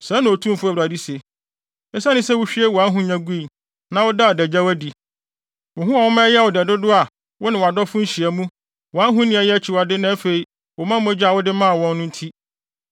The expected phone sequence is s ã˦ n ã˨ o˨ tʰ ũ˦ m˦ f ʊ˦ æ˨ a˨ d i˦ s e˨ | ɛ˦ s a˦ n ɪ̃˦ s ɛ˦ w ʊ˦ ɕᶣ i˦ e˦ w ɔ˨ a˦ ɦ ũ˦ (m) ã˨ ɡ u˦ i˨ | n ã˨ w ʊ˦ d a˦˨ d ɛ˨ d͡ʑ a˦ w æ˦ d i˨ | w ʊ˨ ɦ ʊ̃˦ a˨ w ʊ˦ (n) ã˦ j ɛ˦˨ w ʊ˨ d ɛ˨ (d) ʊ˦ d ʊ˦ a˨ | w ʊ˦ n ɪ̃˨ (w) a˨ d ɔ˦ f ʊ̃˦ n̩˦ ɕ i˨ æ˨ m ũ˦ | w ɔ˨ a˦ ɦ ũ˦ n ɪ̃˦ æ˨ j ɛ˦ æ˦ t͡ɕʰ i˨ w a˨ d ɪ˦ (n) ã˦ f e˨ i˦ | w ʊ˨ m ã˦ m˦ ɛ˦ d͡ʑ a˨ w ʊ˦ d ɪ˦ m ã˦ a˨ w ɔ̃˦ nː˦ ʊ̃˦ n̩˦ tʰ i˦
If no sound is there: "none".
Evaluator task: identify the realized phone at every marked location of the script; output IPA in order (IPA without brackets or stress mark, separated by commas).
ɲ, m, d, w, n